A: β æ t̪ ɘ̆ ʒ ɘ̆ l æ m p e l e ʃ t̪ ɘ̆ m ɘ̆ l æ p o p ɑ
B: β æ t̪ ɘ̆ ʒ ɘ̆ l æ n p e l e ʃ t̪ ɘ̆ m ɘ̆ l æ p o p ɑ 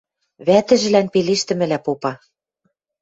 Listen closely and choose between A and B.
B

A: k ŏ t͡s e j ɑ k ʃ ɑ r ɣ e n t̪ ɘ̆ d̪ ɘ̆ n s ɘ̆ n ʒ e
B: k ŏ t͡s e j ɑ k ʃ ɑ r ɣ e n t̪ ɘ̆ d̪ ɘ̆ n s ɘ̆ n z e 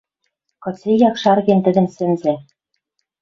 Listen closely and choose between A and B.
B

